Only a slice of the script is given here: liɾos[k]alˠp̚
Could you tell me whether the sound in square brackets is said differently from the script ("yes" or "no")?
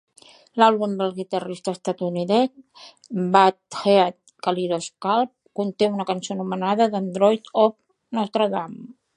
no